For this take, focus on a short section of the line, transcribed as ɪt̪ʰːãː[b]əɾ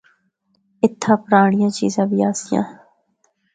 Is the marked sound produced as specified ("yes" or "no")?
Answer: no